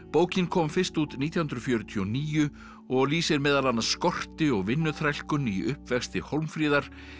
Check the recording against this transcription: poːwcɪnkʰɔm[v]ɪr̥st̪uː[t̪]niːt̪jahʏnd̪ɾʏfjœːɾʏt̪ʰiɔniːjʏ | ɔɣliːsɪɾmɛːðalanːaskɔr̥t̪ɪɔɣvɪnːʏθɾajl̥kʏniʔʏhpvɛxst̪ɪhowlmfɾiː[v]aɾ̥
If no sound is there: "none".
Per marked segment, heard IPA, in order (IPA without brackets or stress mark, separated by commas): f, t̪, ð